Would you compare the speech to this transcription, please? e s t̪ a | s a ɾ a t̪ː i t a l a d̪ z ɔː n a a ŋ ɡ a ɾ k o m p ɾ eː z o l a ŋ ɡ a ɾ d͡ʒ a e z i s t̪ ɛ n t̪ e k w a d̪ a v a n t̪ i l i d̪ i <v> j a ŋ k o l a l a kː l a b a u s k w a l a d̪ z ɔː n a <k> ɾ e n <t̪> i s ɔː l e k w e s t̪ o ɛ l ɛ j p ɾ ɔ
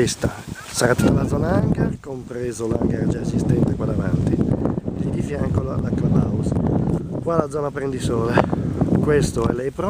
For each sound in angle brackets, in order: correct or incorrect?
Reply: incorrect: f, incorrect: p, incorrect: d̪

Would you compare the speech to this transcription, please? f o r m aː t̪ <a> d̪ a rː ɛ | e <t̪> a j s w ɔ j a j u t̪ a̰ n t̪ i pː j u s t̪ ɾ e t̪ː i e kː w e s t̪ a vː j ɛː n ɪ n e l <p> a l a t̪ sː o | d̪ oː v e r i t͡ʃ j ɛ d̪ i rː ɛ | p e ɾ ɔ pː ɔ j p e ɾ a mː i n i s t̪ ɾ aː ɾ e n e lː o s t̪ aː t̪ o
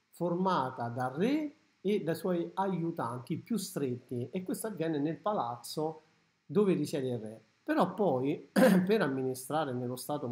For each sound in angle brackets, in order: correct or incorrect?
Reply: correct, incorrect: d̪, correct

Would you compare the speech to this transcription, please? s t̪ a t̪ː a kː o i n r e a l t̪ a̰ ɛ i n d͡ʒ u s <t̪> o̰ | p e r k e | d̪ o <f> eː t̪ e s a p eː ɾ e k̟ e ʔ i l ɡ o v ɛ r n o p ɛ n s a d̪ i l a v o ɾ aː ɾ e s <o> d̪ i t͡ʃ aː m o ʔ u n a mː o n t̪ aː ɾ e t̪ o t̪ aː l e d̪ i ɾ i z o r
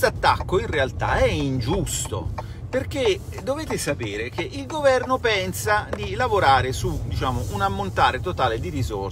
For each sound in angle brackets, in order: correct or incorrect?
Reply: correct, incorrect: v, incorrect: u

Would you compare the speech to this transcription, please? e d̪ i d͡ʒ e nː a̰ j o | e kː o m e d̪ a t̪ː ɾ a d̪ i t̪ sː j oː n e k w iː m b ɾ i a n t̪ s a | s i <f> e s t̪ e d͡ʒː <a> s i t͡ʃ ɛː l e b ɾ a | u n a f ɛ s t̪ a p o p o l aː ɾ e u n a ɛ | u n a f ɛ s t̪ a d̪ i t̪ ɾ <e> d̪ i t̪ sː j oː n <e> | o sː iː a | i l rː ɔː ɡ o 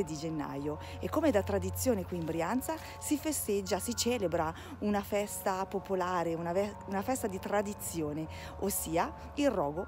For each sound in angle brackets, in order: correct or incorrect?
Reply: correct, correct, incorrect: a, correct

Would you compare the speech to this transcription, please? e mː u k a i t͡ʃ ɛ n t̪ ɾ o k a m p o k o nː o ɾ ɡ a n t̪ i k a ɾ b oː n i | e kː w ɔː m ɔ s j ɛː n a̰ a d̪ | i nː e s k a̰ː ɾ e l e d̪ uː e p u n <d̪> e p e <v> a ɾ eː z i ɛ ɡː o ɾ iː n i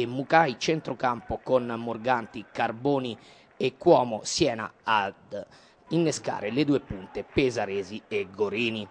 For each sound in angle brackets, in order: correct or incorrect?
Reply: incorrect: t̪, incorrect: z

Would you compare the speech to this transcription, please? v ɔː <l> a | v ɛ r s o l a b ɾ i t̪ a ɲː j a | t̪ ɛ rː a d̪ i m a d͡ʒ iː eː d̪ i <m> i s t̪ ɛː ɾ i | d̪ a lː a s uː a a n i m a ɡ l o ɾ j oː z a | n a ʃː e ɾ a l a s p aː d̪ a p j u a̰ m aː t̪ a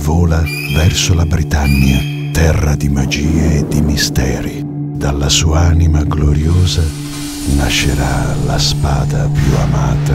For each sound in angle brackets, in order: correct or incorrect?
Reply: correct, correct

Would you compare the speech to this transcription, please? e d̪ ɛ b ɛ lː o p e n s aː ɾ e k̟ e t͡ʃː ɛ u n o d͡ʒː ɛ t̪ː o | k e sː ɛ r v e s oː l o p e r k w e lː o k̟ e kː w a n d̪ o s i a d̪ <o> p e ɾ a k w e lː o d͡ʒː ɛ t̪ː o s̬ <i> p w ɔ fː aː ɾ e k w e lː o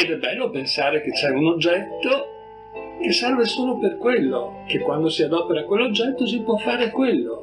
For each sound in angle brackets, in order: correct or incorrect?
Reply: incorrect: ɔ, correct

